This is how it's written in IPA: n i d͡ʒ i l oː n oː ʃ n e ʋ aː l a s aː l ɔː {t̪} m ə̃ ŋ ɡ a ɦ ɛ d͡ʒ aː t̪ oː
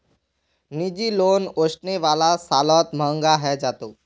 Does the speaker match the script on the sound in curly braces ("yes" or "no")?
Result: yes